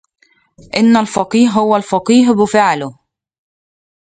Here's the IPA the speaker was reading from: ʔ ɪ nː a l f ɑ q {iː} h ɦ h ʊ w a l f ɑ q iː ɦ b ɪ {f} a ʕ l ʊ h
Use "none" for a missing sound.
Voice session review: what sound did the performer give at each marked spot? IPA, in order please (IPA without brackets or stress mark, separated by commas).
iː, f